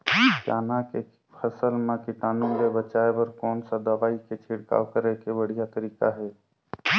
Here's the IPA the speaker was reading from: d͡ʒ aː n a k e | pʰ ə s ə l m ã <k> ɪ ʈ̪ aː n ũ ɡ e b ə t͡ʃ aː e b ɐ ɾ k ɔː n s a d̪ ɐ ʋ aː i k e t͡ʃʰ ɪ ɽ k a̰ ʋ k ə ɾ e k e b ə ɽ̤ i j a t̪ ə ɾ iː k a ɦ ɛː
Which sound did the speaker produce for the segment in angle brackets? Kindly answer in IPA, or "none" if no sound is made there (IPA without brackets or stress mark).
k